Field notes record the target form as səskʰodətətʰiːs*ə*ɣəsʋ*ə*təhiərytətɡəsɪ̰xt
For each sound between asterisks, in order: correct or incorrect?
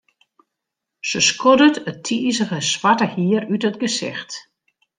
correct, incorrect

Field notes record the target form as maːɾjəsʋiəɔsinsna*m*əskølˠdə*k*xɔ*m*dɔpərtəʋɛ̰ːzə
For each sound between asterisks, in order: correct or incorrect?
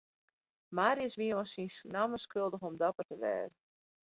correct, incorrect, correct

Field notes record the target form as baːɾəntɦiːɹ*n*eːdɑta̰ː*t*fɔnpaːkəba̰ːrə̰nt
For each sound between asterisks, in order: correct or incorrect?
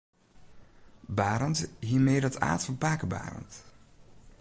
incorrect, correct

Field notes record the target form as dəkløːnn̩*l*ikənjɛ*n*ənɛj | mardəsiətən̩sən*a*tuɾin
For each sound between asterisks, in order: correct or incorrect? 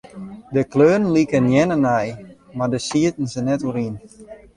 correct, correct, incorrect

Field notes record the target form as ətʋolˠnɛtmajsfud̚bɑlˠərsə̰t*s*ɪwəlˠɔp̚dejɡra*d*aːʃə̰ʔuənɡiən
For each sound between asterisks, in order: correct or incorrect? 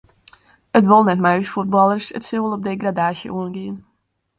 correct, correct

